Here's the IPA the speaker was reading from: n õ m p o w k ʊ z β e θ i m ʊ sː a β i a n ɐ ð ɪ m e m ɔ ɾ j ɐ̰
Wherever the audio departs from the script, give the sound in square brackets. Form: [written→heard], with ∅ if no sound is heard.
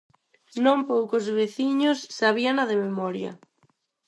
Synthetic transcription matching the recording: n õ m p o w k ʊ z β e θ i [m→ɲ] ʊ sː a β i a n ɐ ð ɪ m e m ɔ ɾ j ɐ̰